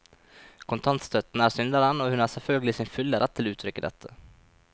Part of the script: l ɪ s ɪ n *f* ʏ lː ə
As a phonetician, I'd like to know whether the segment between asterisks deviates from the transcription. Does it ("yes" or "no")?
no